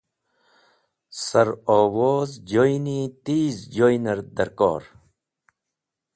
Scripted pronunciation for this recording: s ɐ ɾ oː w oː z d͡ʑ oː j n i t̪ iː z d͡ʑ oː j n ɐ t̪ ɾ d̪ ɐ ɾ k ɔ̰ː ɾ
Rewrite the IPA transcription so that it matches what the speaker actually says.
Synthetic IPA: s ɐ ɾ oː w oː z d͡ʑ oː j n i t̪ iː z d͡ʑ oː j n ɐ ɾ d̪ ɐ ɾ k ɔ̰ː ɾ